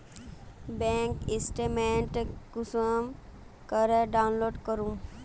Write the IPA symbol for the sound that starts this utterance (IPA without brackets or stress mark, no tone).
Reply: b